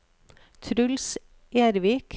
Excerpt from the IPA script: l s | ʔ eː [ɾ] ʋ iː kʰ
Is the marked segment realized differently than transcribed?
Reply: no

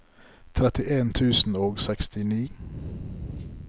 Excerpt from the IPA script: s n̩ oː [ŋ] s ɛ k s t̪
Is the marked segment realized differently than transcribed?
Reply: yes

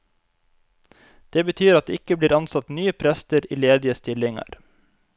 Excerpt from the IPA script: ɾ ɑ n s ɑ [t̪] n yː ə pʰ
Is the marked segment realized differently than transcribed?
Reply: no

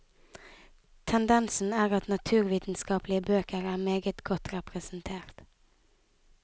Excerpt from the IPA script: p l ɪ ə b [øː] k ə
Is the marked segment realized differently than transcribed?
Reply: no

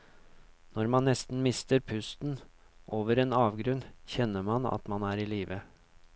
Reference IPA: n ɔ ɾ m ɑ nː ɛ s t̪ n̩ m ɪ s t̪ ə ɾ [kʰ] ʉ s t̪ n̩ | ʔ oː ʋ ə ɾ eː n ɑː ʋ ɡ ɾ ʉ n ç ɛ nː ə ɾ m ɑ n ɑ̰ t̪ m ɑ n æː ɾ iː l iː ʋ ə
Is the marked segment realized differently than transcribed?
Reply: yes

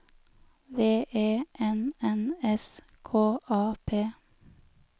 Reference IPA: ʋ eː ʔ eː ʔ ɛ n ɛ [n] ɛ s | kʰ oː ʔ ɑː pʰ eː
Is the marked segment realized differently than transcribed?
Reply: no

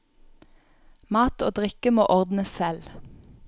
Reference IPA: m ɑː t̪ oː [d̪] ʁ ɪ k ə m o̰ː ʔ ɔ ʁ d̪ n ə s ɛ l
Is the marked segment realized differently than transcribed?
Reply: no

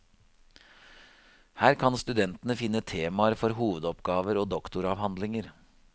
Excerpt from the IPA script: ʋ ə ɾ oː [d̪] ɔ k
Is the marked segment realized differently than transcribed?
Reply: no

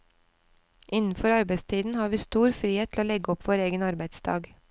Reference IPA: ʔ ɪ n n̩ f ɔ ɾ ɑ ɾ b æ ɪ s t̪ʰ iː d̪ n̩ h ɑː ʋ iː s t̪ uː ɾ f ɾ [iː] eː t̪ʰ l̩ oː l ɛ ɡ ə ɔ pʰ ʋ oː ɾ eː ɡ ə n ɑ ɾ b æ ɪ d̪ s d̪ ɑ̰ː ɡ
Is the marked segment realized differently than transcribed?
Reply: no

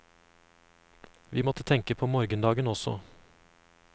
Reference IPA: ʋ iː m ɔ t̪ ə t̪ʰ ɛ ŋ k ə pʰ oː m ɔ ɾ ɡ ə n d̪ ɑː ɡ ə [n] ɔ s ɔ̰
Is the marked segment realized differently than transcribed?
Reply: no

